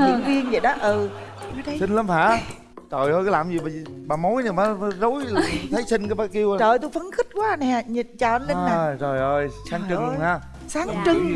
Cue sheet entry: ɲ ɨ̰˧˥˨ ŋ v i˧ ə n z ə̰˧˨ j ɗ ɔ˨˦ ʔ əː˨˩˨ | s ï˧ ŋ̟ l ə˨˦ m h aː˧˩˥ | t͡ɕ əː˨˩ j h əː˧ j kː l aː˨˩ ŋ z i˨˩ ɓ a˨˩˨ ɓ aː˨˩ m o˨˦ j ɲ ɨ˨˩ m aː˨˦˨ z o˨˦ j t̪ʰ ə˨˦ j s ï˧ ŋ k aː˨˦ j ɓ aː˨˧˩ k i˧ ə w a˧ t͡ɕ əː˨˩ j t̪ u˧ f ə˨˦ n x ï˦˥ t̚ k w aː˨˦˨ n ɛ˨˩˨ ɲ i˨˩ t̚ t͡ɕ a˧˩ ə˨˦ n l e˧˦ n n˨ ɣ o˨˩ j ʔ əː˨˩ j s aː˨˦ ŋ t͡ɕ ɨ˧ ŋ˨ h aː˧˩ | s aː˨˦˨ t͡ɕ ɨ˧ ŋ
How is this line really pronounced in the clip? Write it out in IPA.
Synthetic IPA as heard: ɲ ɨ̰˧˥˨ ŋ v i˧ ə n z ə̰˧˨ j ɗ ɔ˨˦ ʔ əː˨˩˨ | s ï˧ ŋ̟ l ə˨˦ m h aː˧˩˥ | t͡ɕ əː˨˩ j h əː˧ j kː l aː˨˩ m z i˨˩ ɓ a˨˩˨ ɓ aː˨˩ m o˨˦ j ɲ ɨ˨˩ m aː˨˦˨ z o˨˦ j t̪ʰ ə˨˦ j s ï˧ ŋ k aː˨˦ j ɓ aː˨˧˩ k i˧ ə w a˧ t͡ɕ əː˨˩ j t̪ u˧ f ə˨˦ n x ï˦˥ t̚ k w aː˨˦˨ n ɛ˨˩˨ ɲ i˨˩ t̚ t͡ɕ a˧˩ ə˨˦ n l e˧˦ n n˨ z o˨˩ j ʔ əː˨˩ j s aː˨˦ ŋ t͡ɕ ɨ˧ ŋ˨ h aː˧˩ | s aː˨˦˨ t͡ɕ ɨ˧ ŋ